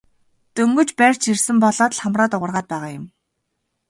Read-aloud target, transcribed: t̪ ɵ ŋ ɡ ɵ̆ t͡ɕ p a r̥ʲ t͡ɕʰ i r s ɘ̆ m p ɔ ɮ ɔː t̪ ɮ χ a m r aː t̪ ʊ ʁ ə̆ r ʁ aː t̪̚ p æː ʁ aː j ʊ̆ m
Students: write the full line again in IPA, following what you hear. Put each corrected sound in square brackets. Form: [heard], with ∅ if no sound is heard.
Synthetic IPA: t̪ ɵ ŋ ɡ ɵ̆ t͡ɕ p [æ] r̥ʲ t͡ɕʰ i r s ɘ̆ m p ɔ ɮ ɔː t̪ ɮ χ a m r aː t̪ ʊ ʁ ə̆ r ʁ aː t̪̚ p æː ʁ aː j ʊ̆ m